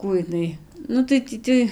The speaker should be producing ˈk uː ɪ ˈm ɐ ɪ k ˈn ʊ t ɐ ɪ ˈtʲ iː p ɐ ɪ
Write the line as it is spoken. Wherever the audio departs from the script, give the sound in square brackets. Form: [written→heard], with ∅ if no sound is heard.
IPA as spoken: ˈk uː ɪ [ˈm→ˈn] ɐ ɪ [k→∅] ˈn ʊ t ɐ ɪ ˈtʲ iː [p→t] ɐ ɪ